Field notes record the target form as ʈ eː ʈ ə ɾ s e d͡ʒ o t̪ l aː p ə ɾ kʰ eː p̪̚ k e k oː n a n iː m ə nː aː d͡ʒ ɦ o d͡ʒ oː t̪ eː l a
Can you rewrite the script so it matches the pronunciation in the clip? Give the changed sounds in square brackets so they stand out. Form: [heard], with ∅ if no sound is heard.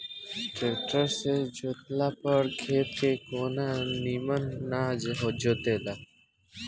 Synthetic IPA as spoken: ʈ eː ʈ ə ɾ s e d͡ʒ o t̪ l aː p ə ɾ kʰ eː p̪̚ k e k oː n a n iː m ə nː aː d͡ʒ ɦ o d͡ʒ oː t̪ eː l a